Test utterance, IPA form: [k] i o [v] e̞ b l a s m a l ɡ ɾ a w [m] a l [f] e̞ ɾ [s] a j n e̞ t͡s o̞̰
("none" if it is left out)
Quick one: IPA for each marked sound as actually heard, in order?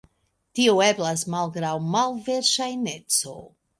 t, none, m, v, ʃ

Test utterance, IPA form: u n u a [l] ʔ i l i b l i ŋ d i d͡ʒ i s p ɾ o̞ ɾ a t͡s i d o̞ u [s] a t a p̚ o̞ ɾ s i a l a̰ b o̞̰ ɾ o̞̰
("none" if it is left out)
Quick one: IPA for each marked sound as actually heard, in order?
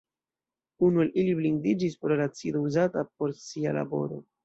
l, z

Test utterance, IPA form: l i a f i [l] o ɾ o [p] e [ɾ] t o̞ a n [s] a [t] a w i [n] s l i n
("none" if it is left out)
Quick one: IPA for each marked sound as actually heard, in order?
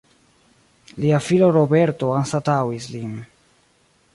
l, b, ɾ, s, t, none

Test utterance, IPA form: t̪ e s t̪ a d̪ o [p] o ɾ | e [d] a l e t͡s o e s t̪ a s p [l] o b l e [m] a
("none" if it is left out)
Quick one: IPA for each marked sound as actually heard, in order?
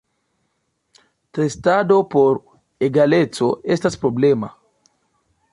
p, ɡ, ɾ, m

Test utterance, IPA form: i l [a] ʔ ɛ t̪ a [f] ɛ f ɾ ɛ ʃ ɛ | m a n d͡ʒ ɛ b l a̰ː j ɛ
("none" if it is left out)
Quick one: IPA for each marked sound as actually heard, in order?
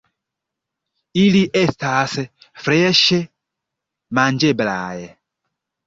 i, s

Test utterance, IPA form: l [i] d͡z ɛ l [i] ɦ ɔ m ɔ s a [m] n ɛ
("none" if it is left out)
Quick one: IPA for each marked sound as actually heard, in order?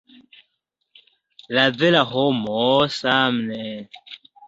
a, a, m

